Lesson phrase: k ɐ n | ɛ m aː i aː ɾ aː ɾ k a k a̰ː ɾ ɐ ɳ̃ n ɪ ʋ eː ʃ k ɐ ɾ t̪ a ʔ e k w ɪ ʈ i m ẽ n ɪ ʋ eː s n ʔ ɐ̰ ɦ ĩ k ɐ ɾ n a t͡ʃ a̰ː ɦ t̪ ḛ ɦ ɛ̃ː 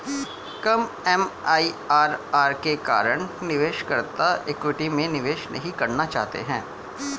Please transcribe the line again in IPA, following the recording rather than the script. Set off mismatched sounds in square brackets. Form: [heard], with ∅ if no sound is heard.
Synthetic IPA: k ɐ [m] | ɛ m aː i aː ɾ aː ɾ k [e] k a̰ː ɾ [ə] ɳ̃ n ɪ ʋ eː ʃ k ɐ ɾ t̪ a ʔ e k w ɪ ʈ i m ẽ n ɪ ʋ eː [ʃ] n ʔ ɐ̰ ɦ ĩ k ɐ ɾ n a t͡ʃ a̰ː ɦ t̪ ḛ ɦ ɛ̃ː

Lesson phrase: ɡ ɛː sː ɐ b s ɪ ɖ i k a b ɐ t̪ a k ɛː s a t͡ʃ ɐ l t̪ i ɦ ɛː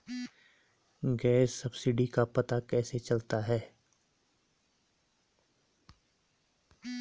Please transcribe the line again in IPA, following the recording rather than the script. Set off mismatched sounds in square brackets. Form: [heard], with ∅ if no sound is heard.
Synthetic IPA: ɡ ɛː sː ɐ b s ɪ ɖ i k a [p] ɐ t̪ a k ɛː s [e] t͡ʃ ɐ l t̪ [a] ɦ ɛː

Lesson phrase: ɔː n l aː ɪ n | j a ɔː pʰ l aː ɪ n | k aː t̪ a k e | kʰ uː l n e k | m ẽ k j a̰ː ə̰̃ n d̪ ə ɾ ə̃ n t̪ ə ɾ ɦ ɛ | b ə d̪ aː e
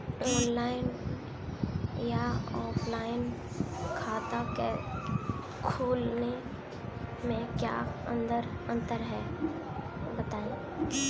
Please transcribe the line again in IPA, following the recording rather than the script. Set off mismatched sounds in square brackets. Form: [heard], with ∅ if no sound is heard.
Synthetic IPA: ɔː n l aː ɪ n | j a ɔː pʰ l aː ɪ n | [kʰ] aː t̪ a k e | kʰ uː l n e [∅] | m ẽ k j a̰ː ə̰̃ n d̪ ə ɾ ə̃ n t̪ ə ɾ ɦ ɛ | b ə [t̪] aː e

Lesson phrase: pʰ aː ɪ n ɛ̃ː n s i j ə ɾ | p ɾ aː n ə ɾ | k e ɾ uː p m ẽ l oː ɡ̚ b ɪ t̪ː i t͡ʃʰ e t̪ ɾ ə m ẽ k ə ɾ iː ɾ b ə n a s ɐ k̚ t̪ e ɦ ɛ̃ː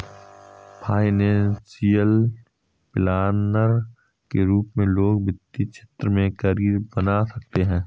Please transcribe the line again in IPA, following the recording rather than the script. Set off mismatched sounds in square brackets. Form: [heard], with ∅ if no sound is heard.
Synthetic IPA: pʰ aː ɪ n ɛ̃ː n s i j ə [l] | p [l] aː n ə ɾ | k e ɾ uː p m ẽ l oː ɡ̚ b ɪ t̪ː i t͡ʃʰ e t̪ ɾ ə m ẽ k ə ɾ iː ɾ b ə n a s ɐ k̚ t̪ e ɦ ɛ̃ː

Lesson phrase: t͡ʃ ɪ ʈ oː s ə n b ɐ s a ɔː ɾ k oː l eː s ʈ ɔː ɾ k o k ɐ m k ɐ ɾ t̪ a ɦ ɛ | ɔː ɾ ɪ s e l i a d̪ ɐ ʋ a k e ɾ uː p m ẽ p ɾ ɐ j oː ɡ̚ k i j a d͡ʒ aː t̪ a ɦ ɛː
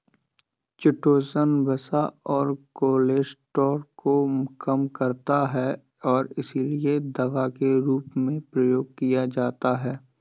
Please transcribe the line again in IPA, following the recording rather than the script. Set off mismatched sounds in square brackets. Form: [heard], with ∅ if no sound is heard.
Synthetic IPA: t͡ʃ ɪ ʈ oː s ə n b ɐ s a ɔː ɾ k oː l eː s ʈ ɔː ɾ k o k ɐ m k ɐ ɾ t̪ a ɦ ɛ | ɔː ɾ ɪ s [i] l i [e] d̪ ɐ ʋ a k e ɾ uː p m ẽ p ɾ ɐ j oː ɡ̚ k i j a d͡ʒ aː t̪ a ɦ ɛː

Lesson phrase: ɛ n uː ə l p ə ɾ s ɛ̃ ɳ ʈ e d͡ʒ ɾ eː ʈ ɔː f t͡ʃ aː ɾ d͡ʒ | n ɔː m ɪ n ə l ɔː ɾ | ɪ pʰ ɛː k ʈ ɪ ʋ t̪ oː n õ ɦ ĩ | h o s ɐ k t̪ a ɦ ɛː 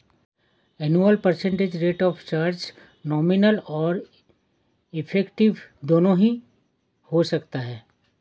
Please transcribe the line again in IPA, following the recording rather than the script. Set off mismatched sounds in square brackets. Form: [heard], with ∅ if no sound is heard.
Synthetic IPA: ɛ n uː ə l p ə ɾ s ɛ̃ ɳ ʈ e d͡ʒ ɾ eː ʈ ɔː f t͡ʃ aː ɾ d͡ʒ | n ɔː m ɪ n ə l ɔː ɾ | ɪ pʰ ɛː k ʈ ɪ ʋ [d̪] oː n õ ɦ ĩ | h o s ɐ k t̪ a ɦ ɛː

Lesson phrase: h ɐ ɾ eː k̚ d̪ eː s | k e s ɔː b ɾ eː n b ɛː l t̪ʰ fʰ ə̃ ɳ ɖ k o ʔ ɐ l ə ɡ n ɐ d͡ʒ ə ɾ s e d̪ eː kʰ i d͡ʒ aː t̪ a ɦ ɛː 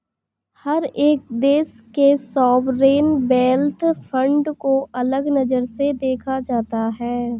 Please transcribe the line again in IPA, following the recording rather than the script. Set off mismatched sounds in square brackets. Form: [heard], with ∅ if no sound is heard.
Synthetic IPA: h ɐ ɾ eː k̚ d̪ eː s | k e s ɔː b ɾ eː n b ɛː l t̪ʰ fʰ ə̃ ɳ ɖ k o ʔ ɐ l ə ɡ n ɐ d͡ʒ ə ɾ s e d̪ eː kʰ [a] d͡ʒ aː t̪ a ɦ ɛː

